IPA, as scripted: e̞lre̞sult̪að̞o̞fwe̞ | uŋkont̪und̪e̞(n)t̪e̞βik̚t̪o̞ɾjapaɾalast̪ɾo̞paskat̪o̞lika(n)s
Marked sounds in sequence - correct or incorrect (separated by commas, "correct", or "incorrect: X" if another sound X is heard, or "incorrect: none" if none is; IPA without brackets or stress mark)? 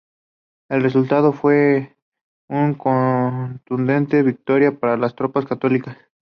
correct, incorrect: none